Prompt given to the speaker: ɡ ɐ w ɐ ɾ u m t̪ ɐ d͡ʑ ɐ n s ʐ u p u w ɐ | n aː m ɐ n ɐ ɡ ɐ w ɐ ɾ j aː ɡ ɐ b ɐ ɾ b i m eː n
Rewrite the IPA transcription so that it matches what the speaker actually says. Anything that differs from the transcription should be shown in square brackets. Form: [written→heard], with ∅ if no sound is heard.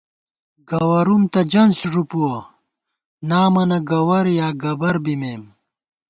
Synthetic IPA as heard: ɡ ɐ w ɐ ɾ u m t̪ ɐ d͡ʑ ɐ n s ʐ u p u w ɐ | n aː m ɐ n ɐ ɡ ɐ w ɐ ɾ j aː ɡ ɐ b ɐ ɾ b i m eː [n→m]